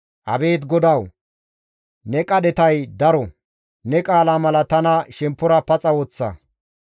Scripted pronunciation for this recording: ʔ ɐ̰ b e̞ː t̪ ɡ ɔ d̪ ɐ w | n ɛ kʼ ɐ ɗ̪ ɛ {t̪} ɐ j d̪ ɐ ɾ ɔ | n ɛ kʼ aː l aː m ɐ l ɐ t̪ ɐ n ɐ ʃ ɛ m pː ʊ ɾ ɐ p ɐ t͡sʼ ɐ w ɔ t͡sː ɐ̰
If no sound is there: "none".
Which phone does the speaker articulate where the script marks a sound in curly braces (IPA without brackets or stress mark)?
t̪